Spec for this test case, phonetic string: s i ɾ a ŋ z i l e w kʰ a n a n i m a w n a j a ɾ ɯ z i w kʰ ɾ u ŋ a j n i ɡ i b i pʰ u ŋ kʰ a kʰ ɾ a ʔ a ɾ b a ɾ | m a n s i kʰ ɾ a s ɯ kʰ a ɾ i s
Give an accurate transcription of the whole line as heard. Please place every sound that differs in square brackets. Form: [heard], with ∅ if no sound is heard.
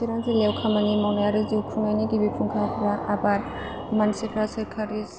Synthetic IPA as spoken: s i ɾ a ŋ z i l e w kʰ a [m] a n i m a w n a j a ɾ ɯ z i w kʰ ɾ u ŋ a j n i ɡ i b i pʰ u ŋ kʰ a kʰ ɾ a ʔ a [∅] b a ɾ | m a n s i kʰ ɾ a s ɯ kʰ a ɾ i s